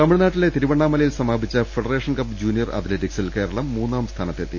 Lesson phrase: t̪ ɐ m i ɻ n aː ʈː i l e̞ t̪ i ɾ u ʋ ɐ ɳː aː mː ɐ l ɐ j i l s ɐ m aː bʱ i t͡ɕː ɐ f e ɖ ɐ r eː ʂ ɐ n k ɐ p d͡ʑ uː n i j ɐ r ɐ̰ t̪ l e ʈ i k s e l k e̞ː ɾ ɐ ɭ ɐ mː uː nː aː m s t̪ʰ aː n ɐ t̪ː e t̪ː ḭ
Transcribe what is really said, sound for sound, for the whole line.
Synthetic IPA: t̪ ɐ m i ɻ n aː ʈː i l e̞ t̪ i ɾ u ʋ ɐ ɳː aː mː ɐ l ɐ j i l s ɐ m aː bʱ i t͡ɕː ɐ f e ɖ ɐ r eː ʂ ɐ n k ɐ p d͡ʑ uː n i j ɐ r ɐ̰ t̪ l e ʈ i k s i l k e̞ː ɾ ɐ ɭ ɐ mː uː nː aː m s t̪ʰ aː n ɐ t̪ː e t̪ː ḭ